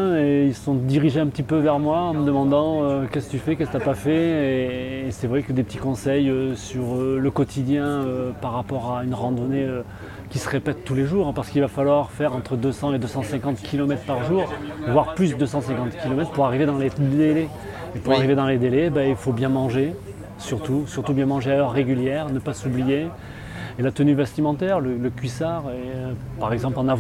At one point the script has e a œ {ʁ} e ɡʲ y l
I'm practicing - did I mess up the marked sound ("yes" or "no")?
yes